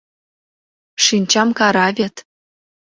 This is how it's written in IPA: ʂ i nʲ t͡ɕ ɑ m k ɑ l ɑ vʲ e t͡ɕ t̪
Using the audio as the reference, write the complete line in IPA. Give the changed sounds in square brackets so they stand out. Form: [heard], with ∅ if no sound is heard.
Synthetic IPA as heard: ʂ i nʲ t͡ɕ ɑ m k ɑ [ɾ] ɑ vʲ e [∅] t̪